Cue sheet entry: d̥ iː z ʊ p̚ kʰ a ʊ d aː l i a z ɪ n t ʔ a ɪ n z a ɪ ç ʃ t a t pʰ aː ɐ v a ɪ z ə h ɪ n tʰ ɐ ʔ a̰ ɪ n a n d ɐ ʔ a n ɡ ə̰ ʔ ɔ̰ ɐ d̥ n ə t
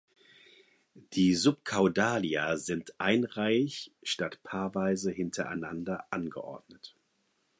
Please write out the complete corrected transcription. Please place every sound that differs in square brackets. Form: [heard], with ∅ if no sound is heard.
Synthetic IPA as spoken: d̥ iː z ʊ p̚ kʰ a ʊ d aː l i a z ɪ n t ʔ a ɪ n [ʁ] a ɪ ç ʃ t a t pʰ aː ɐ v a ɪ z ə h ɪ n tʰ ɐ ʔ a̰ ɪ n a n d ɐ ʔ a n ɡ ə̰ ʔ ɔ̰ ɐ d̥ n ə t